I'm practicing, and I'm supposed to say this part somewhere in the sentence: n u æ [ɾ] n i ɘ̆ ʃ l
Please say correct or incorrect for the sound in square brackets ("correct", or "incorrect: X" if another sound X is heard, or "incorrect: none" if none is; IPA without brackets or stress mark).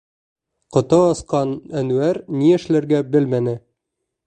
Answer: correct